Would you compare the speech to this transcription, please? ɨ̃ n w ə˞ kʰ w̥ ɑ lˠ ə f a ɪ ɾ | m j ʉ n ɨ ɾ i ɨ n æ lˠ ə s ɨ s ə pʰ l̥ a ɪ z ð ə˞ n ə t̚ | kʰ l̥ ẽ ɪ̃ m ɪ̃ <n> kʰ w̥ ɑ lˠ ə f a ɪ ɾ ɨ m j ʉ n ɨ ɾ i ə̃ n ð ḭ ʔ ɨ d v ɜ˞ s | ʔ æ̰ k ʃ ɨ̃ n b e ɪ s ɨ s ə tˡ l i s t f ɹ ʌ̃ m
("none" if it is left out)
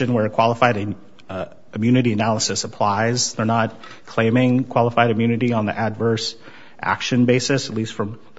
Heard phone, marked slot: ŋ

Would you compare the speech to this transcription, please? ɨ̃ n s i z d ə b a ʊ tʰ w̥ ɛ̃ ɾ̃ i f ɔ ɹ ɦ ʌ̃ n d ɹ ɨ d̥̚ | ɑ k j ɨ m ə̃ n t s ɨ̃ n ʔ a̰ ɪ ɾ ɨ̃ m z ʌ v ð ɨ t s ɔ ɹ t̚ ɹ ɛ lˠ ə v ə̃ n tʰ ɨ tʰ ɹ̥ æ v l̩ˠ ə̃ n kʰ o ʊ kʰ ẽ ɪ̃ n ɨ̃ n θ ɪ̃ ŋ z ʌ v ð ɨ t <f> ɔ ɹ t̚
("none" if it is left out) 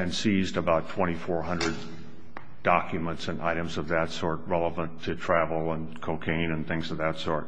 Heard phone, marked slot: s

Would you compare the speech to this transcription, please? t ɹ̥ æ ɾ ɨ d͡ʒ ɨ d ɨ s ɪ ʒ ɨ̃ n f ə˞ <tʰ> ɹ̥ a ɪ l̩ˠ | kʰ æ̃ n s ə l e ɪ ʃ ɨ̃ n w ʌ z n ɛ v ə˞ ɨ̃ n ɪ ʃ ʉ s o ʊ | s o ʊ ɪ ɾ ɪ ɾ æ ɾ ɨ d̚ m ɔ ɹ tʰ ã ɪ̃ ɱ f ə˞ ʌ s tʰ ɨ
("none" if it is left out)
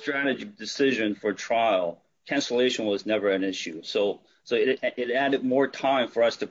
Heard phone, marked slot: tʰ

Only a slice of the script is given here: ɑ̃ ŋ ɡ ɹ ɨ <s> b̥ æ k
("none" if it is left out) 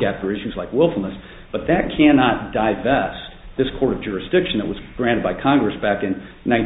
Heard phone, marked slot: s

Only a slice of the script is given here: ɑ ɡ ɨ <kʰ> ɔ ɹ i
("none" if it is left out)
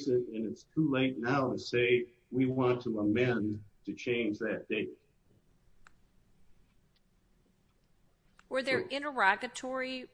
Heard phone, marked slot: tʰ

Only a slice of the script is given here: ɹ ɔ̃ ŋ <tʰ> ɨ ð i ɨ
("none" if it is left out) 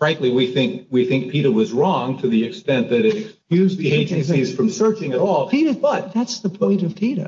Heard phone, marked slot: tʰ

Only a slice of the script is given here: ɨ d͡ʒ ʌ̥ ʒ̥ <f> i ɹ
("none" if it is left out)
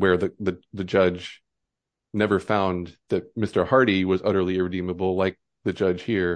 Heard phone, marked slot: h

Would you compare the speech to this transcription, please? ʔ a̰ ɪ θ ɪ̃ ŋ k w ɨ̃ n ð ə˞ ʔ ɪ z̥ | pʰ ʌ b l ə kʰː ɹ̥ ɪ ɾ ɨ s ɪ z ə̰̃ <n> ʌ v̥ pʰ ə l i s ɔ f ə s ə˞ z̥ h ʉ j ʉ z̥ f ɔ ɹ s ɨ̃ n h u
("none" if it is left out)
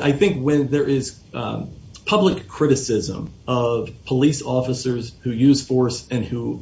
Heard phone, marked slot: m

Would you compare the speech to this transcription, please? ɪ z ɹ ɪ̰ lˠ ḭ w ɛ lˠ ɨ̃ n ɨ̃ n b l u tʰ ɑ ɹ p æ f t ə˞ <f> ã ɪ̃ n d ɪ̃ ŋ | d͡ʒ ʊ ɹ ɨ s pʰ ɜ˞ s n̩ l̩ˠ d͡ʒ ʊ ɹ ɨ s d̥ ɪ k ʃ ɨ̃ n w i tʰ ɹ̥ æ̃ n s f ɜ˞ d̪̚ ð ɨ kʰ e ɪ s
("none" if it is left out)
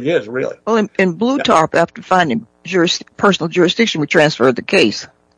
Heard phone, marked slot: f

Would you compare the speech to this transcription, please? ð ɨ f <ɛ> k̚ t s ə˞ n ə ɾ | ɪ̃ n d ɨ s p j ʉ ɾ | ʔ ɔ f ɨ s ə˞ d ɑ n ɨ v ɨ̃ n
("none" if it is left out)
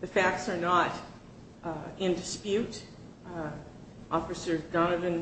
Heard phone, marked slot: æ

